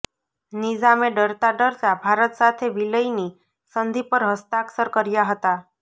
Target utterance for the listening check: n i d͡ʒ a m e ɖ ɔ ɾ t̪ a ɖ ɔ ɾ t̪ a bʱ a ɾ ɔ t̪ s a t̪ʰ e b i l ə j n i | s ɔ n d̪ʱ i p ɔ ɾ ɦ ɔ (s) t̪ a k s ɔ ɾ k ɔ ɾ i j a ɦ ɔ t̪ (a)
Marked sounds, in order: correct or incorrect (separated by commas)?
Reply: correct, correct